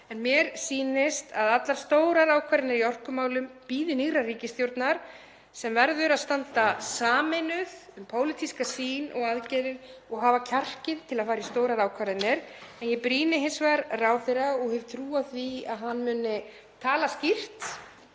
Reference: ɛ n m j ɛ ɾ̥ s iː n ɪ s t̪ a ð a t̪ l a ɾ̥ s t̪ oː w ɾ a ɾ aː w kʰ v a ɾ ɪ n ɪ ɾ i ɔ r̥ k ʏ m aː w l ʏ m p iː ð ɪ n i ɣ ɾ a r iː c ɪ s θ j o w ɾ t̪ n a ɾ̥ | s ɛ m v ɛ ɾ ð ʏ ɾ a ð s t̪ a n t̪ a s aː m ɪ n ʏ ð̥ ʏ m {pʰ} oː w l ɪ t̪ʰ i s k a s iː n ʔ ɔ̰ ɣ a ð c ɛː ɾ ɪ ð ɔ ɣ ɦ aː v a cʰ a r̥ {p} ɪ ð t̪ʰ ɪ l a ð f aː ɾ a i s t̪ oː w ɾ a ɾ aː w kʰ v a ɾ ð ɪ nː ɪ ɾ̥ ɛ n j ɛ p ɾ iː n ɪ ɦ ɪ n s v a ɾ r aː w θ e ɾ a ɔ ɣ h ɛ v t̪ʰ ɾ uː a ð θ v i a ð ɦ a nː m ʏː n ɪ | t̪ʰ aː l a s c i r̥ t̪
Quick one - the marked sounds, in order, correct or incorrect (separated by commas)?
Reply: correct, incorrect